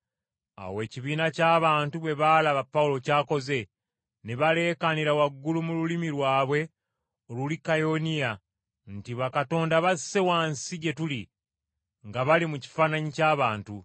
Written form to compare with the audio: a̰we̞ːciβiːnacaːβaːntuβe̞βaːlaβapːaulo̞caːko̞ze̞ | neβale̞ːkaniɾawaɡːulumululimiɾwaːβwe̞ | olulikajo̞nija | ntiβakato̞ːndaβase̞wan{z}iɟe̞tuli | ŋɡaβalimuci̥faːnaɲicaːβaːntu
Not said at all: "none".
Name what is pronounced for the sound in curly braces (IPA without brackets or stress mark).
s